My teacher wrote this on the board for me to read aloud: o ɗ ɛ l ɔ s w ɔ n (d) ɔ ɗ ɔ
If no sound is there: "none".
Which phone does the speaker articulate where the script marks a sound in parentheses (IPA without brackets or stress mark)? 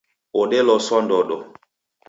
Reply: d